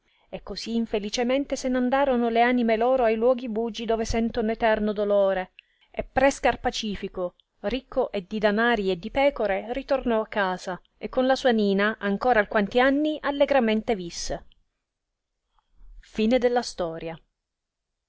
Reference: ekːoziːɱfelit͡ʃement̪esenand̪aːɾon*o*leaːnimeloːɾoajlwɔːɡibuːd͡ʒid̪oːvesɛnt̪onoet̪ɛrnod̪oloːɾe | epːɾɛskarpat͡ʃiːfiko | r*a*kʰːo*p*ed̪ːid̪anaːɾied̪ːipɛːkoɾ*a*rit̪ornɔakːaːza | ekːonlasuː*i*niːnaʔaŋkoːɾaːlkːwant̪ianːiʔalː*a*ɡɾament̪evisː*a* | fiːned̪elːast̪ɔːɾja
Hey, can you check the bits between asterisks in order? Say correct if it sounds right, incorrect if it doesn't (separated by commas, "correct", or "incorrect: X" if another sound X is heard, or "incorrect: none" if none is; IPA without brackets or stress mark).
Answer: correct, incorrect: i, incorrect: ʔ, incorrect: e, incorrect: a, incorrect: e, incorrect: e